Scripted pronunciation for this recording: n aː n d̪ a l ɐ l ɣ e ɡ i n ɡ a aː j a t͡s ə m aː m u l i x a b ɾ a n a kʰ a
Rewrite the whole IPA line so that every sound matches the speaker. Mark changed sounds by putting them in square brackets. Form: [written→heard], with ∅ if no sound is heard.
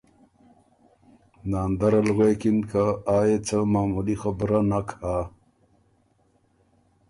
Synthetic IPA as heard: n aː n d̪ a [l→ɾ] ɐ l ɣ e [ɡ→k] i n [ɡ→k] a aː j [a→e] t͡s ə m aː m u l i x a b ɾ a n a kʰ a